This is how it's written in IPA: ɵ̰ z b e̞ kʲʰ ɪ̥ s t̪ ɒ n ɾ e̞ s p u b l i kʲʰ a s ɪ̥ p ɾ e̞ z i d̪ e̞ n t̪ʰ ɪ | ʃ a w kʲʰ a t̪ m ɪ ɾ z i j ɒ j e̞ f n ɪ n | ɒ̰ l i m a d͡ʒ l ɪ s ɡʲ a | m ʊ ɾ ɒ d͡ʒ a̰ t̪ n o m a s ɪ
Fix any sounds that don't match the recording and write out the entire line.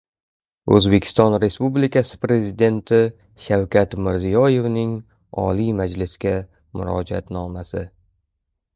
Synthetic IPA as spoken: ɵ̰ z b e̞ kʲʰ ɪ̥ s t̪ ɒ n ɾ e̞ s p u b l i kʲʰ a s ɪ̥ p ɾ e̞ z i d̪ e̞ n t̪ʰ ɪ | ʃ a w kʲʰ a t̪ m ɪ ɾ z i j ɒ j e̞ v n ɪ ŋ | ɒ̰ l i m a d͡ʒ l ɪ s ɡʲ a | m ʊ ɾ ɒ d͡ʒ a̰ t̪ n ɒ m a s ɪ

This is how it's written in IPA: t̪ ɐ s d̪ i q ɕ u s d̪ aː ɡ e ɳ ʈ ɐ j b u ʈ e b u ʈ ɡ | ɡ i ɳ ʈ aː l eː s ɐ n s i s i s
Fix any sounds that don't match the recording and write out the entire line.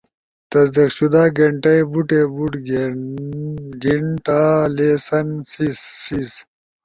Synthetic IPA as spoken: t̪ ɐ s d̪ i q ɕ u d̪ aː ɡ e ɳ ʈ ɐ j b u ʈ e b u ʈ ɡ | ɡ i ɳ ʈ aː l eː s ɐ n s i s i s

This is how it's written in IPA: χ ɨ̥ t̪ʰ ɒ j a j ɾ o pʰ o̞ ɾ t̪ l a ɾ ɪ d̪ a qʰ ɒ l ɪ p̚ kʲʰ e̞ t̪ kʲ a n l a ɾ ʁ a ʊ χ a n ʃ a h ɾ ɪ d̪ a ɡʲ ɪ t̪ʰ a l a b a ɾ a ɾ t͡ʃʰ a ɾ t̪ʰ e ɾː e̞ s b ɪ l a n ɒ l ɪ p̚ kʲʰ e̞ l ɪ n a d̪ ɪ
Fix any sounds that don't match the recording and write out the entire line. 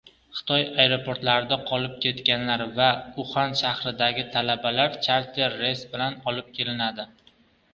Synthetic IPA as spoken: χ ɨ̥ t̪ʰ ɒ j a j ɾ o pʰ o̞ ɾ t̪ l a ɾ ɪ d̪ a qʰ ɒ l ɪ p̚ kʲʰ e̞ t̪ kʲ a n l a ɾ v a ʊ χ a n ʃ a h ɾ ɪ d̪ a ɡʲ ɪ t̪ʰ a l a b a l a ɾ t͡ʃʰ a ɾ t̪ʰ e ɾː e̞ s b ɪ l a n ɒ l ɪ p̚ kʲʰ e̞ l ɪ n a d̪ ɪ

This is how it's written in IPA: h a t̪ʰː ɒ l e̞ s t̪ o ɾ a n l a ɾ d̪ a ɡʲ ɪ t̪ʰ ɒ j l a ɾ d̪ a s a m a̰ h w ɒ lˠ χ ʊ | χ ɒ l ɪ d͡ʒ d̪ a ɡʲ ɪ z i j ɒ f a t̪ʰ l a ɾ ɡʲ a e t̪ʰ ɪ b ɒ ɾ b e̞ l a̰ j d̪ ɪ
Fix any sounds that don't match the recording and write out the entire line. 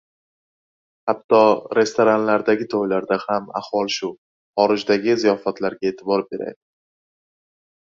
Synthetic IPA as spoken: h a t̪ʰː ɒ ɾ e̞ s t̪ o ɾ a n l a ɾ d̪ a ɡʲ ɪ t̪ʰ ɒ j l a ɾ d̪ a h a m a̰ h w ɒ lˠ ʃ ʊ | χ ɒ ɾ ɪ d͡ʒ d̪ a ɡʲ ɪ z i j ɒ f a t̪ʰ l a ɾ ɡʲ a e t̪ʰ ɪ b ɒ ɾ b e̞ ɾ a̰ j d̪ ɪ

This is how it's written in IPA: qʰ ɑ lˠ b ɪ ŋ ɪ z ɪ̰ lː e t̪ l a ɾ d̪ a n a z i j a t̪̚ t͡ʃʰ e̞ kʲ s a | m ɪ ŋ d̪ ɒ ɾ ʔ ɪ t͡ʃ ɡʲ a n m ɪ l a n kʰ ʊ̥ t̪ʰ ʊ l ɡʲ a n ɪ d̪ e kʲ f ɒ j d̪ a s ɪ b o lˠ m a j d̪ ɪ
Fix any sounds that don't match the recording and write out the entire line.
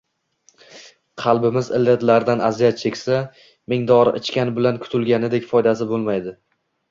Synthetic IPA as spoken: qʰ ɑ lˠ b ɪ m ɪ z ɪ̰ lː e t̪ l a ɾ d̪ a n a z i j a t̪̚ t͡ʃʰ e̞ kʲ s a | m ɪ ŋ d̪ ɒ ɾ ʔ ɪ t͡ʃ kʲ a n b ɪ l a n kʰ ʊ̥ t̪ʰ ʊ l ɡʲ a n ɪ d̪ e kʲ f ɒ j d̪ a s ɪ b o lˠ m a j d̪ ɪ

